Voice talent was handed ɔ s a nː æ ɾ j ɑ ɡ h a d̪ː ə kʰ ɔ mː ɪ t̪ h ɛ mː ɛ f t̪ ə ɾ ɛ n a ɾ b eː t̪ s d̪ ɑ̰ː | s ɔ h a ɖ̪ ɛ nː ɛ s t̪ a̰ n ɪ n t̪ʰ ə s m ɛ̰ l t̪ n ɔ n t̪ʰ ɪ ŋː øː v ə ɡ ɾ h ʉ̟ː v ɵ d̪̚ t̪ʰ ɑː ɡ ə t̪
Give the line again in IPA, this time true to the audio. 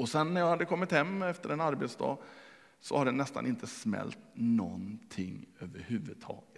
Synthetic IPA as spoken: ɔ s ɛ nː æ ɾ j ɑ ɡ h a d̪ː ə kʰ ɔ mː ɪ t̪ h ɛ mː ɛ f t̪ ə ɾ ɛ n a ɾ b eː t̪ s d̪ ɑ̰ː | s ɔ h a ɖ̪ ɛ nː ɛ s t̪ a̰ n ɪ n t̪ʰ ə s m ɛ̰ l t̪ n ɔ n t̪ʰ ɪ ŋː øː v ə ɾ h ʉ̟ː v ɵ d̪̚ t̪ʰ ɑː ɡ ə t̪